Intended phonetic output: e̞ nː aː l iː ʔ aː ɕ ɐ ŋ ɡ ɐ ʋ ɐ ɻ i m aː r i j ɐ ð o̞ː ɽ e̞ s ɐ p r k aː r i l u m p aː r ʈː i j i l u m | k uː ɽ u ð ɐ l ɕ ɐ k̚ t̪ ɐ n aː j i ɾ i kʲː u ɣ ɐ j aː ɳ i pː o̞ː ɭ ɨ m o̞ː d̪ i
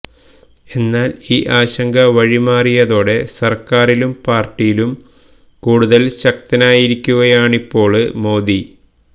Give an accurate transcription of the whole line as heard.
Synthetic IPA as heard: e̞ nː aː l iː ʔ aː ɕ ɐ ŋ ɡ ɐ ʋ ɐ ɻ i m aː r i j ɐ ð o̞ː ɽ e̞ s ɐ r k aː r i l u m p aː r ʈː i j i l u m | k uː ɽ u ð ɐ l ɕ ɐ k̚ t̪ ɐ n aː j i ɾ i kʲː u ɣ ɐ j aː ɳ i pː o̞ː ɭ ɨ m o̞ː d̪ i